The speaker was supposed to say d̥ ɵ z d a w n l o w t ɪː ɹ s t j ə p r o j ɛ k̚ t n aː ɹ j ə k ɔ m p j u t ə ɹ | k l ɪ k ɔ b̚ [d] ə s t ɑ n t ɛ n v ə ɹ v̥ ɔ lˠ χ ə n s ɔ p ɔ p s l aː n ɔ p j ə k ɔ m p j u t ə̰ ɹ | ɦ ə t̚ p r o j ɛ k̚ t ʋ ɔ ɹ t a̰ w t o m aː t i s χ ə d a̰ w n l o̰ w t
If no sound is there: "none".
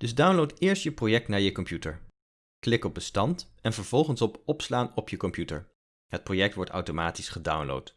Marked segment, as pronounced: b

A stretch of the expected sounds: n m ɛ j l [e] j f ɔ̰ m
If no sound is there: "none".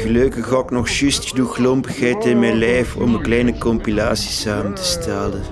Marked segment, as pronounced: ɛ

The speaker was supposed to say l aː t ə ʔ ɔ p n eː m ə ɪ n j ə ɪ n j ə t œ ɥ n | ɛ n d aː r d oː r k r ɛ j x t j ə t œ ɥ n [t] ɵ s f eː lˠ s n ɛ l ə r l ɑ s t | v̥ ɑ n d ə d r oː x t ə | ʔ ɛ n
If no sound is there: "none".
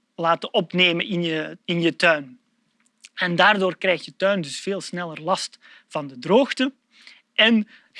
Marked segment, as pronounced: d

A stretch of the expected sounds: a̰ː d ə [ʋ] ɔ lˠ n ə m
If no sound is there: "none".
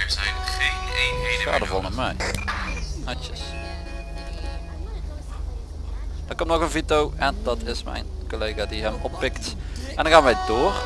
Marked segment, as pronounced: v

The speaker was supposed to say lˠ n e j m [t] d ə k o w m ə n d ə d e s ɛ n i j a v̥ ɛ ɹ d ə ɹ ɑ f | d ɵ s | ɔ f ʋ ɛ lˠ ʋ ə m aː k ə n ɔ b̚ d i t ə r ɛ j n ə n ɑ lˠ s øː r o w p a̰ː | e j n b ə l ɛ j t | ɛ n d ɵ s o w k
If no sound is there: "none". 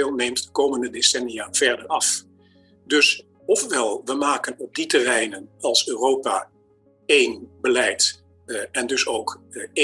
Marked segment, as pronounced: t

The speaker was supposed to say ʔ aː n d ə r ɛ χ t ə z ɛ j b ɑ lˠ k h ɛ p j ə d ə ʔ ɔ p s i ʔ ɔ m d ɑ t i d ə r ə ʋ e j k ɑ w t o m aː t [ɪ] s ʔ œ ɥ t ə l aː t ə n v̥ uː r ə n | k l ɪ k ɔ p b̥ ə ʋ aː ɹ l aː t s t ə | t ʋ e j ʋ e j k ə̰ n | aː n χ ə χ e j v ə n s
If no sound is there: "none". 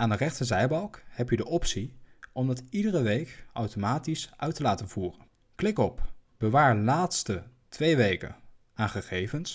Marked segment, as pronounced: i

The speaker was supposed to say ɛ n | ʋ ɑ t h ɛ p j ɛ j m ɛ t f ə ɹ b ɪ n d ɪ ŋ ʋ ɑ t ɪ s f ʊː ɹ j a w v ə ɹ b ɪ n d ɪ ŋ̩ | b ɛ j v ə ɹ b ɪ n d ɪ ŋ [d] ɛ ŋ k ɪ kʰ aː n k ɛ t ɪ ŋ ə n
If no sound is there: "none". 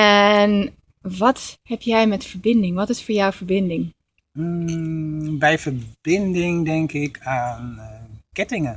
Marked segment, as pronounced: d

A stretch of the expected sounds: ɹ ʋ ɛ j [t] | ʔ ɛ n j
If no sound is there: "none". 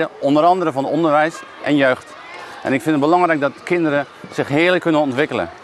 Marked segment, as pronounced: s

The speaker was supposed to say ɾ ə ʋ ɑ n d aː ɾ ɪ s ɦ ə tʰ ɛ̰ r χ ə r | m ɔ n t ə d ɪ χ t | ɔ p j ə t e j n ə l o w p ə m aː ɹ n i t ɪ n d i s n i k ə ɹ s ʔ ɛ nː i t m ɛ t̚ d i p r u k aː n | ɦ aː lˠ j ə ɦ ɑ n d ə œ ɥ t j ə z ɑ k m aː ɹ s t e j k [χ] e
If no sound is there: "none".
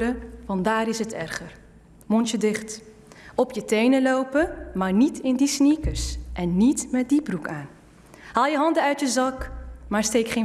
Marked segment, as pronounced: χ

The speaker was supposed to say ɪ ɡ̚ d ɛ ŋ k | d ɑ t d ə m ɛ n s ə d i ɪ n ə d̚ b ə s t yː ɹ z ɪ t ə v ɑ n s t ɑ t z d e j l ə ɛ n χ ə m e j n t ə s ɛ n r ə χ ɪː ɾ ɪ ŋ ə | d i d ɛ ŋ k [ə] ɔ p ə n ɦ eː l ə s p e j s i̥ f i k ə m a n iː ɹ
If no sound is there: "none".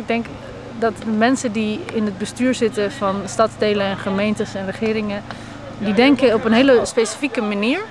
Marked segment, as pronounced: ə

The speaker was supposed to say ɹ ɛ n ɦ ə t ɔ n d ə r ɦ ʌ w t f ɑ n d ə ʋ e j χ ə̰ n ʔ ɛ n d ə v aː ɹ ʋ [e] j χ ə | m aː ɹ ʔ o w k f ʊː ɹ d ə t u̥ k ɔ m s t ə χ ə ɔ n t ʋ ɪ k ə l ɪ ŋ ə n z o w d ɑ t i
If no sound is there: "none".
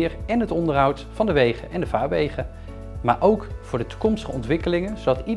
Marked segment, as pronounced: e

